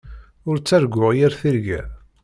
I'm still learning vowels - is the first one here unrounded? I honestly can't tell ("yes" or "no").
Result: no